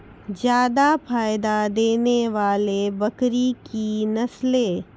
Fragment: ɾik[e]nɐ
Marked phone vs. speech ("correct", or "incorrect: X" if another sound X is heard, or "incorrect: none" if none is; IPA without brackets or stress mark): incorrect: i